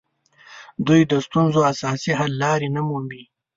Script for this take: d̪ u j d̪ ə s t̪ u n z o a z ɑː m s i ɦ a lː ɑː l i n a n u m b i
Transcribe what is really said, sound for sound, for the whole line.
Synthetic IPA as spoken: d̪ u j d̪ ə s t̪ u n z o a s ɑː s i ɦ a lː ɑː ɾ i n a m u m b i